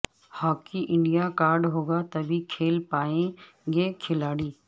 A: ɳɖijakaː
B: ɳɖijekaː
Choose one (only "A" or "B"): A